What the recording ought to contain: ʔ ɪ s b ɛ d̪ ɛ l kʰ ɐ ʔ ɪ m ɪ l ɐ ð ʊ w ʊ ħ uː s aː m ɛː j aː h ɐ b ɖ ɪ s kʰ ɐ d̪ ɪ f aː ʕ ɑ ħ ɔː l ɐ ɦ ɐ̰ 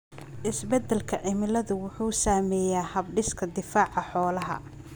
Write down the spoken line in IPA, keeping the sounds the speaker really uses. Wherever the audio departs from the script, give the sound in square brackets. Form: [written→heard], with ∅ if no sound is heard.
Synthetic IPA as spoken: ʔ ɪ s b ɛ d̪ ɛ l kʰ ɐ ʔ ɪ m ɪ l ɐ ð ʊ w ʊ ħ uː s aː m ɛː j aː h ɐ b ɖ ɪ s kʰ ɐ d̪ ɪ f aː ʕ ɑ ħ ɔː l ɐ ɦ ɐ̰

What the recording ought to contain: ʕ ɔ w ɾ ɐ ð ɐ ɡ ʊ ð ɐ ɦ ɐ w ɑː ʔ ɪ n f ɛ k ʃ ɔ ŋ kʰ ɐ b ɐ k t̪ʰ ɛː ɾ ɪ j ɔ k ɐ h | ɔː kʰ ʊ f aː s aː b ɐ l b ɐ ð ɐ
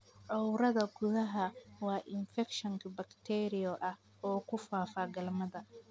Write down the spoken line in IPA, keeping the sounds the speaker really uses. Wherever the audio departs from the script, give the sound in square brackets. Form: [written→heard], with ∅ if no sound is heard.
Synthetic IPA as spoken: ʕ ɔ w ɾ ɐ ð ɐ ɡ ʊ ð ɐ ɦ ɐ w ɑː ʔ ɪ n f ɛ k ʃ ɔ ŋ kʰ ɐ b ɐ k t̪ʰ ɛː ɾ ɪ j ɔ [k→ʔ] ɐ h | ɔː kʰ ʊ f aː [s→f] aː [b→ɡ] ɐ l [b→m] ɐ ð ɐ

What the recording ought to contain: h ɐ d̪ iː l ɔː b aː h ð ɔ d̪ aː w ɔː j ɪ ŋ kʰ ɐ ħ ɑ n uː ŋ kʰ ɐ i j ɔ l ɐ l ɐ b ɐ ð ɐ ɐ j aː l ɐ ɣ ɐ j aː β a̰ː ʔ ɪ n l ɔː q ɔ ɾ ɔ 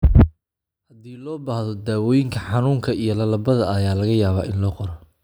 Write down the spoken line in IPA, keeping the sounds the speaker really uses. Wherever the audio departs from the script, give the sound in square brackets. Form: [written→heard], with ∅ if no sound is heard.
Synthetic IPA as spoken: h ɐ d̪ iː l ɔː b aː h ð ɔ d̪ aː w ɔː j ɪ ŋ kʰ ɐ ħ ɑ n uː ŋ kʰ ɐ i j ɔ l ɐ l ɐ b ɐ ð ɐ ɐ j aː l ɐ ɣ ɐ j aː β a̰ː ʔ ɪ n l ɔː q ɔ ɾ ɔ

